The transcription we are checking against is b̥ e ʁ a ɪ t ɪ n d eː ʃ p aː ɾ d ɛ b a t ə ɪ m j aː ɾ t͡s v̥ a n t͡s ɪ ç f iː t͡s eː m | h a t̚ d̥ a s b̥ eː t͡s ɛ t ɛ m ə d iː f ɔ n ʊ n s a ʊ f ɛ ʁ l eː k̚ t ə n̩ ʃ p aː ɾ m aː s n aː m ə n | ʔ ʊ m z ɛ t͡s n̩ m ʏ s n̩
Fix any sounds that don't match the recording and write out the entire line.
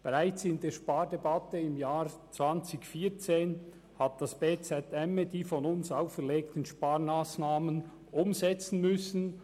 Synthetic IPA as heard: b̥ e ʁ a ɪ t͡s ɪ n d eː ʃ p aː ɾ d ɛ b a t ə ɪ m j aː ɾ t͡s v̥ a n t͡s ɪ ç f iː t͡s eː n | h a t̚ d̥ a s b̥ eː t͡s ɛ t ɛ m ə d iː f ɔ n ʊ n s a ʊ f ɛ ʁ l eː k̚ t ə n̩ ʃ p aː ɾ m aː s n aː m ə n | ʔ ʊ m z ɛ t͡s n̩ m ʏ s n̩